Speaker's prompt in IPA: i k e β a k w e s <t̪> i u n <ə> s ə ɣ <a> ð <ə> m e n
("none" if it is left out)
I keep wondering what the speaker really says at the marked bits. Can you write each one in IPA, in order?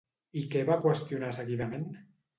t̪, a, i, a

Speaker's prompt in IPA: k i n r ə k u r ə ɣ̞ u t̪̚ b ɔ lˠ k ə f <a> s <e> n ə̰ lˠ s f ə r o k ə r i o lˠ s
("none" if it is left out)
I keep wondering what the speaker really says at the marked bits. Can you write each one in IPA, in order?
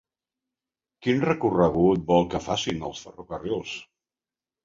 a, i

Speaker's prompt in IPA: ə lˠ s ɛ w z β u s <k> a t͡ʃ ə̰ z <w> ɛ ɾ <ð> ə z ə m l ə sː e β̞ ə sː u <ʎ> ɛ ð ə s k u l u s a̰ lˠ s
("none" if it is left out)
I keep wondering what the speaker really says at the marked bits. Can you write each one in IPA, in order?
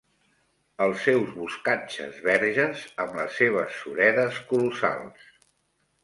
k, β, ʒ, ɾ

